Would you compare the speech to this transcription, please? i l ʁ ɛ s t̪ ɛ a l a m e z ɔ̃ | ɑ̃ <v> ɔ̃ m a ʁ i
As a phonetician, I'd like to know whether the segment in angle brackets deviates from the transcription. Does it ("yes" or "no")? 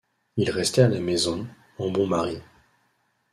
yes